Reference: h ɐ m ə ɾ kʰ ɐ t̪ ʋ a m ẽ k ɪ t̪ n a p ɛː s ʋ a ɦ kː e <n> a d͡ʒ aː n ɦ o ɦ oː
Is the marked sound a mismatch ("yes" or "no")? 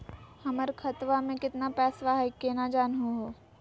no